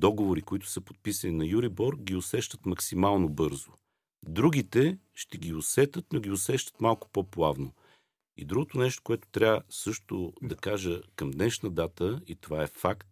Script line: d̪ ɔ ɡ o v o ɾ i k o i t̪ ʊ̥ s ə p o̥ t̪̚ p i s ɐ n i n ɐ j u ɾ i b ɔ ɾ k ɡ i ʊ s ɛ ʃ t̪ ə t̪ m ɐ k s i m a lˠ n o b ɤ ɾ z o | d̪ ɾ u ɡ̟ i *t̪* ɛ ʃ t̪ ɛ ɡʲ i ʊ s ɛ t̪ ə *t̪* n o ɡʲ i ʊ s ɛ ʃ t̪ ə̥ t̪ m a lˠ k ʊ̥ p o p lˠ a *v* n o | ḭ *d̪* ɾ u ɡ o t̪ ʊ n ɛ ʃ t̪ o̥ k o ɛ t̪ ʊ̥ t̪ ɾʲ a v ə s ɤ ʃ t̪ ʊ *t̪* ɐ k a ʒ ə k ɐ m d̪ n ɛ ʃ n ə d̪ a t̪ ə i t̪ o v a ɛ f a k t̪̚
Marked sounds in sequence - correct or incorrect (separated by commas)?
correct, correct, correct, correct, incorrect